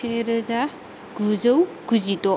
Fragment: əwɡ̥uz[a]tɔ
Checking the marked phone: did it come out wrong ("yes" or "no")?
yes